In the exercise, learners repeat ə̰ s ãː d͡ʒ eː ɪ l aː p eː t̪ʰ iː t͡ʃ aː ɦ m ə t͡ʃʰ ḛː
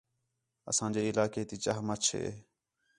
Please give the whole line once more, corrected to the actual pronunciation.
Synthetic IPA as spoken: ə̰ s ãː d͡ʒ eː ɪ l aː k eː t̪ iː t͡ʃ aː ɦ m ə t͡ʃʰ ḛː